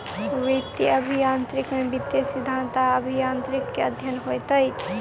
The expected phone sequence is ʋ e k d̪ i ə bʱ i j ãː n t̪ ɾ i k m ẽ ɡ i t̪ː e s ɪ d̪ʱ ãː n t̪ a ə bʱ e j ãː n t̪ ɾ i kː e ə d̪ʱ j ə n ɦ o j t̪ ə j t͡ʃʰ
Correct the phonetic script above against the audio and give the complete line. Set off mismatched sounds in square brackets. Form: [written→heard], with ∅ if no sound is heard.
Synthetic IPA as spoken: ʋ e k [d̪→t̪] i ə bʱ i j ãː n t̪ ɾ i k m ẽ [ɡ→b] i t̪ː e s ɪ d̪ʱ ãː n t̪ a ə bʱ [e→i] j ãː n t̪ ɾ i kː e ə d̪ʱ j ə n ɦ o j t̪ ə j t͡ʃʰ